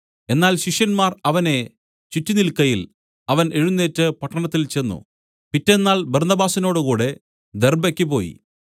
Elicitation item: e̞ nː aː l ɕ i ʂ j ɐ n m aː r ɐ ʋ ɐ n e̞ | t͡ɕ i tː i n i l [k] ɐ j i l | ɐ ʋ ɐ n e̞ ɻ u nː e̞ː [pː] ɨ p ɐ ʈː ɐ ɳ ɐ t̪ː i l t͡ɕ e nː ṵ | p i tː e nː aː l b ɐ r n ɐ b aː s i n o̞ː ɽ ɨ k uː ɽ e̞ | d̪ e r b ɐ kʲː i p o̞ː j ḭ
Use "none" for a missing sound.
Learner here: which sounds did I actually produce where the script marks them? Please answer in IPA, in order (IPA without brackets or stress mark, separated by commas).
k, tː